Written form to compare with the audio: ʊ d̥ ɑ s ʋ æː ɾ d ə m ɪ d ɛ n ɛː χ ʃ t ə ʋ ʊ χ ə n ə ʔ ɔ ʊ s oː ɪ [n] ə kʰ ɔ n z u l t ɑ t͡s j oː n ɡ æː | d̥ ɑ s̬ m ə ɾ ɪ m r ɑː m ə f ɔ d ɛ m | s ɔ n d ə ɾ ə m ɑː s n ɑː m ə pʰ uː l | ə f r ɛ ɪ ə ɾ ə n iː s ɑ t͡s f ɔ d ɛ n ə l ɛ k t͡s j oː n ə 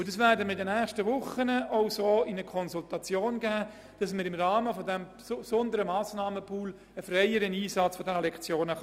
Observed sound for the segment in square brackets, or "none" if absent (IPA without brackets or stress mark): n